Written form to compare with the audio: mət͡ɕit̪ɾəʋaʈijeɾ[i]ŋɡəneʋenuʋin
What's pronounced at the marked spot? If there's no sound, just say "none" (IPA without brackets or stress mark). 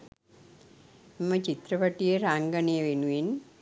a